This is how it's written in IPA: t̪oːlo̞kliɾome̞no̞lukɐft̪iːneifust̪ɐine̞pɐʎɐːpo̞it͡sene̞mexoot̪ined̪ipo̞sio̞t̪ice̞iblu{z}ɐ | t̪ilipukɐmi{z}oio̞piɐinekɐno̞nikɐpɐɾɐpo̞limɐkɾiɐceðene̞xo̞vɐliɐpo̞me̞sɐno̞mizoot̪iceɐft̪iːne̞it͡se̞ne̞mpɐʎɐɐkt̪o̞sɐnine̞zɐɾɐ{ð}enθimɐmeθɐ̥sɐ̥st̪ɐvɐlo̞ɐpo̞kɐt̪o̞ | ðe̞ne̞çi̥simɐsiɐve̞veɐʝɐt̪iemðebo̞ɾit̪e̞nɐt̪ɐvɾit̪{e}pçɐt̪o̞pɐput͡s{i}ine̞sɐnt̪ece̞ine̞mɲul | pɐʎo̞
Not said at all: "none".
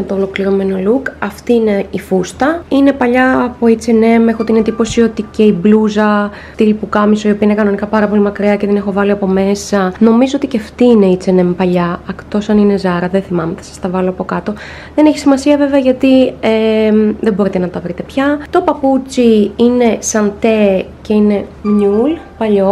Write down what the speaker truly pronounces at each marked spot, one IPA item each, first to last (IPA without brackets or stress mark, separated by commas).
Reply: z, s, ð, e, i